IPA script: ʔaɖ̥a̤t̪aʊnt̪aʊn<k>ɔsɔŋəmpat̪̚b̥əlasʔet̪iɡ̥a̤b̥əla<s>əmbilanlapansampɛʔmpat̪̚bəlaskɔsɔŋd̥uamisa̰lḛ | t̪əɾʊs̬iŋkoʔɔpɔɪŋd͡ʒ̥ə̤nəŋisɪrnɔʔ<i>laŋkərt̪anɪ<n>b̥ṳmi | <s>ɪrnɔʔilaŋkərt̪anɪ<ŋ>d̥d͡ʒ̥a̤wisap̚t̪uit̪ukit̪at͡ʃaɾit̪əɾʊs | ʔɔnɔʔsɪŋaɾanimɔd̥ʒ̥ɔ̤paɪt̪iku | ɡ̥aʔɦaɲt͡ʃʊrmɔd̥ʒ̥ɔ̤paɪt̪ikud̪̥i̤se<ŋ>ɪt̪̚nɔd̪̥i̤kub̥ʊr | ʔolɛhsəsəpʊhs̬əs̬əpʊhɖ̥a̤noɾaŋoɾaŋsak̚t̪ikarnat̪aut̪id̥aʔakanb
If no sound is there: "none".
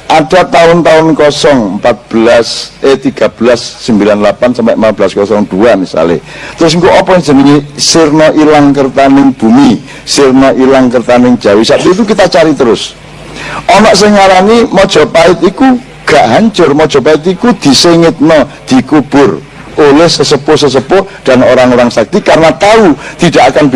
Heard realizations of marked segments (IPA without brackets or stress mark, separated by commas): k, sː, i, ŋ, s, ŋ, ŋ